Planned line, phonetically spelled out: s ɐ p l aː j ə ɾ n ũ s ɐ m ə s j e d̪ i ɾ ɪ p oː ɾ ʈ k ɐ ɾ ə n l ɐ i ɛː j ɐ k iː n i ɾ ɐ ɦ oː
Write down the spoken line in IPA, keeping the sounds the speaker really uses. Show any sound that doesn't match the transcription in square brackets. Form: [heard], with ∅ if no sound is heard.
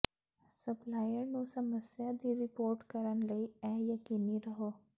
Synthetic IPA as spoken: s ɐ p l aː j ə ɾ n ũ s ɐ m ə s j [a] d̪ i ɾ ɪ p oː ɾ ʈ k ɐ ɾ ə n l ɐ i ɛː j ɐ k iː n i ɾ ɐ ɦ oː

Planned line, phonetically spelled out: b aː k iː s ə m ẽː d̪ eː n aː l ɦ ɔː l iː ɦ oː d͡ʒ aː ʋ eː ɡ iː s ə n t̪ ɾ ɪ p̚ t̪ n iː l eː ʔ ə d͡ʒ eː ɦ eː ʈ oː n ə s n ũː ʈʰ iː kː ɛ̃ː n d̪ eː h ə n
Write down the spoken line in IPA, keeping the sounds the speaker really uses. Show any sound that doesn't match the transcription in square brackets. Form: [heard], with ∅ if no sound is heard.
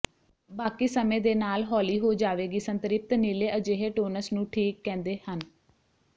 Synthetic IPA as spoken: b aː k iː s ə m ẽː d̪ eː n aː l ɦ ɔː l iː ɦ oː d͡ʒ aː ʋ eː ɡ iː s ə n t̪ ɾ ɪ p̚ t̪ n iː l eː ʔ ə d͡ʒ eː ɦ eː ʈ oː n ə s n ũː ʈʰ iː kː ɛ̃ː n d̪ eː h ə n

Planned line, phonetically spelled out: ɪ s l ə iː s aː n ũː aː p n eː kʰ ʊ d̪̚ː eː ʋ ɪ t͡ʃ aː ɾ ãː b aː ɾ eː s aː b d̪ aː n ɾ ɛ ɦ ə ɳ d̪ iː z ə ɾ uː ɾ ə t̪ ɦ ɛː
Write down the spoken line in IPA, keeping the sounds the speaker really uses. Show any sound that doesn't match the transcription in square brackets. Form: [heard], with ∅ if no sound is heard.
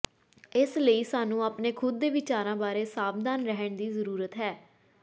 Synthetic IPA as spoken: ɪ s l ə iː s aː n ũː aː p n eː kʰ ʊ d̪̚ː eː ʋ ɪ t͡ʃ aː ɾ ãː b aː ɾ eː s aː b d̪ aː n ɾ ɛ ɦ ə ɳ d̪ iː z ə ɾ uː ɾ ə t̪ ɦ ɛː

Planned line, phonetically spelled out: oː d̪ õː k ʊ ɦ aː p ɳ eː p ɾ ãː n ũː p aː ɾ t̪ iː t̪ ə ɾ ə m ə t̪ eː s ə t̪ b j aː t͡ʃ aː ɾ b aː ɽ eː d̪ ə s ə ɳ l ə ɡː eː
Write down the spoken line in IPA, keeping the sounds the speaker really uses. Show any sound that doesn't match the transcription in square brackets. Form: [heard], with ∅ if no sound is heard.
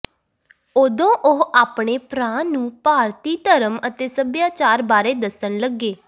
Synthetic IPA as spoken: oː d̪ õː [ʔ] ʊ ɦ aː p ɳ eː p ɾ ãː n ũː p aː ɾ t̪ iː t̪ ə ɾ ə m ə t̪ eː s ə [∅] b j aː t͡ʃ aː ɾ b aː [ɾ] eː d̪ ə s ə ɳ l ə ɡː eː

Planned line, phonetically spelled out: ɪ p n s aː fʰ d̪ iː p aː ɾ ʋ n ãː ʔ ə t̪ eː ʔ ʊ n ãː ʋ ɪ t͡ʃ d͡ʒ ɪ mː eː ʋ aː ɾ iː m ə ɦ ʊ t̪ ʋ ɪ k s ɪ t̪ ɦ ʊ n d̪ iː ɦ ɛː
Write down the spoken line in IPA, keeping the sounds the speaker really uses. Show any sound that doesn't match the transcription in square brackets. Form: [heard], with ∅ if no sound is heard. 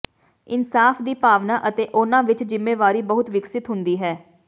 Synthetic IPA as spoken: ɪ [∅] n s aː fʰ d̪ iː p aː [∅] ʋ n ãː ʔ ə t̪ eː ʔ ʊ n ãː ʋ ɪ t͡ʃ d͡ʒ ɪ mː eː ʋ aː ɾ iː [b] ə ɦ ʊ t̪ ʋ ɪ k s ɪ t̪ ɦ ʊ n d̪ iː ɦ ɛː

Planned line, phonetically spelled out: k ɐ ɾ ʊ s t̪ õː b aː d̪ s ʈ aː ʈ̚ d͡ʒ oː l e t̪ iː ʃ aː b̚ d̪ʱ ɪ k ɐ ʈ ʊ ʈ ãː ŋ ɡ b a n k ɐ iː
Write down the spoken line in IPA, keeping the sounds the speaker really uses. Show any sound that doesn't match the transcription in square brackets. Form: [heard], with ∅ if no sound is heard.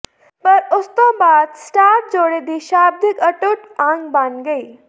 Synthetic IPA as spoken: [p] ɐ ɾ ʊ s t̪ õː b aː d̪ s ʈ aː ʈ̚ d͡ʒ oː [ɽ] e [d̪] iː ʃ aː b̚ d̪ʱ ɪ k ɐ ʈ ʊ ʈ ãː ŋ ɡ b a n [ɡ] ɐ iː

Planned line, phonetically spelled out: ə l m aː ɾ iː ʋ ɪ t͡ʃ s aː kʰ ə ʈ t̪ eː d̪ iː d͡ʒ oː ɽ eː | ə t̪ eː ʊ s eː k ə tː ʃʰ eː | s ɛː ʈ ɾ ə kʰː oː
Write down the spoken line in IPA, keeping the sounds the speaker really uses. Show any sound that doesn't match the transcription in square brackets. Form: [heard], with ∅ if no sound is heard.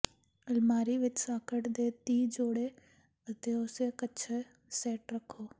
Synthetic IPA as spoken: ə l m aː ɾ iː ʋ ɪ t͡ʃ s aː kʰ ə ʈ [d̪] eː [t̪] iː d͡ʒ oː ɽ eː | ə t̪ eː ʊ s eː k ə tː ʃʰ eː | s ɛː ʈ ɾ ə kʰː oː

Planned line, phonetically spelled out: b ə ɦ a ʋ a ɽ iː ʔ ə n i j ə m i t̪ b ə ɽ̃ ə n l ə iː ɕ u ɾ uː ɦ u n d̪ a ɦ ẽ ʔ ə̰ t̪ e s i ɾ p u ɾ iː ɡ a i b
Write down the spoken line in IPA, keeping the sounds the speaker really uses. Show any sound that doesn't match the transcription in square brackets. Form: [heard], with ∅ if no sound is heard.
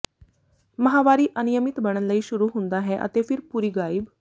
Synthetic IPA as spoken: [m] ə ɦ a ʋ a [ɾ] iː ʔ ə n i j ə m i t̪ b ə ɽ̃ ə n l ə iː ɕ u ɾ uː ɦ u n d̪ a ɦ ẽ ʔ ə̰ t̪ e [f] i ɾ p u ɾ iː ɡ a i b

